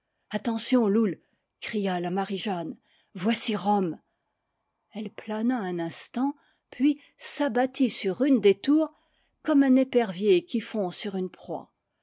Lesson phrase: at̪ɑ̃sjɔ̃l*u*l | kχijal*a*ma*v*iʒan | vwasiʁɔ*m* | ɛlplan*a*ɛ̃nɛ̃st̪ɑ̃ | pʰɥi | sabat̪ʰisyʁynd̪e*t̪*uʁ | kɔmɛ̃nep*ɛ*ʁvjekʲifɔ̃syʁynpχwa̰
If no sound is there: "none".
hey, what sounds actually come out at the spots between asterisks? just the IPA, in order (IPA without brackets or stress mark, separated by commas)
u, a, ʁ, m, a, t̪, ɛ